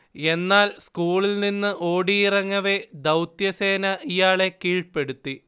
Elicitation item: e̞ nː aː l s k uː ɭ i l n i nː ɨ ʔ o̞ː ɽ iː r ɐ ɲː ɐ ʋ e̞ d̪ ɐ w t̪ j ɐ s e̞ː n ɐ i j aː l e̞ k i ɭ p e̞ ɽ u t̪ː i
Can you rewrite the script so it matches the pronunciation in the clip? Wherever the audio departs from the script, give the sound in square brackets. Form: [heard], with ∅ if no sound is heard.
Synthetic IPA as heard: e̞ nː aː l s k uː ɭ i l n i nː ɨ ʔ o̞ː ɽ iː r ɐ [ŋː] ɐ ʋ e̞ d̪ ɐ w t̪ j ɐ s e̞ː n ɐ i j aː [ɭ] e̞ k [iː] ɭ p e̞ ɽ u t̪ː i